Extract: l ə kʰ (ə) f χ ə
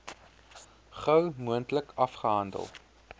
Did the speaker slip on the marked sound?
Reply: yes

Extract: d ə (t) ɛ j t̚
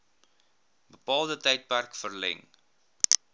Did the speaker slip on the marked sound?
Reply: no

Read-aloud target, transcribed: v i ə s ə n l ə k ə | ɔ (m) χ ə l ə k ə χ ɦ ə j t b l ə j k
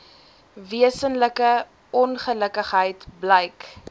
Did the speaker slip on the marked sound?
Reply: yes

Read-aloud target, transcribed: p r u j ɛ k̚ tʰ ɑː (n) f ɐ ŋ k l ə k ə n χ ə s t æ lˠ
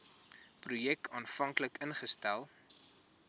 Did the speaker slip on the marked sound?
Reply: no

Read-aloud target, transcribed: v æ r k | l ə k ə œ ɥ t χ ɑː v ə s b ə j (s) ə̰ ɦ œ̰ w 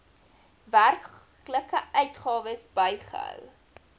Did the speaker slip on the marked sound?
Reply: yes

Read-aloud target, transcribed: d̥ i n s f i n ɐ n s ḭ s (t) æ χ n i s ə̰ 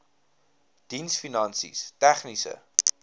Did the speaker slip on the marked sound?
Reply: no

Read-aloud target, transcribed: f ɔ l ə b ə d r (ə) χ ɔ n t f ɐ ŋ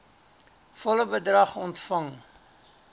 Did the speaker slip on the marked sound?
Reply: yes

